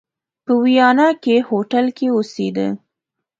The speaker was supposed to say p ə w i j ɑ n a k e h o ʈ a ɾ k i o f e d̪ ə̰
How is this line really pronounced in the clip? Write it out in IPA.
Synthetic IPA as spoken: p ə w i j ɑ n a k e h o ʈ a l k e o s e d̪ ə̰